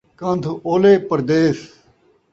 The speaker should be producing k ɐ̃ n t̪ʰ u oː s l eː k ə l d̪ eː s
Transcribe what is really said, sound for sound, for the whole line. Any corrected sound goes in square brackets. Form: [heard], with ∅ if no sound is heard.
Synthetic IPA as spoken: k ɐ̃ n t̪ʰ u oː [∅] l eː [p] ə [ɾ] d̪ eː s